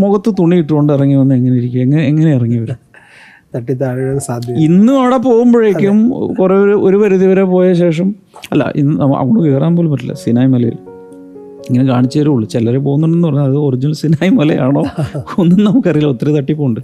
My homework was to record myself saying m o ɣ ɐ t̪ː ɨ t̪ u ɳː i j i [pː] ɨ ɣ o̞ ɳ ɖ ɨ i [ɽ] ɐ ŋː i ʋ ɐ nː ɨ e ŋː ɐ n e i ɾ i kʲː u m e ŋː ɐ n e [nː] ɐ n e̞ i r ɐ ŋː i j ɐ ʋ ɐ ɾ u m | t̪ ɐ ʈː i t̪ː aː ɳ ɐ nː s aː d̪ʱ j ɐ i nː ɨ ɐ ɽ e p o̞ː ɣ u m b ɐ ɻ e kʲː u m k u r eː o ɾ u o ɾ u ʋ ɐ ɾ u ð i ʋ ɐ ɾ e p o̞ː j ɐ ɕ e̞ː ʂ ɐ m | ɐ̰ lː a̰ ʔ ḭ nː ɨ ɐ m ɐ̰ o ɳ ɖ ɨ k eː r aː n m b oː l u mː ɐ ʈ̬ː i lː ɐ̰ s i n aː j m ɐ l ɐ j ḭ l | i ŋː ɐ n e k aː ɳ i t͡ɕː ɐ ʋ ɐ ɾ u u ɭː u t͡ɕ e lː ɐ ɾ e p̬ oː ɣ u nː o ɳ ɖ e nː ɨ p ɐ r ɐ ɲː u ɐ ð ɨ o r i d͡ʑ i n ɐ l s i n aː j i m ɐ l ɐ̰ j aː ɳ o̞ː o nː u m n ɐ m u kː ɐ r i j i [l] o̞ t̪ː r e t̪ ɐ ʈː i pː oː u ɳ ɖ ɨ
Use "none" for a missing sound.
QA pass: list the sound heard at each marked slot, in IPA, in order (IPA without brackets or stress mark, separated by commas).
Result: ʈː, r, ŋː, l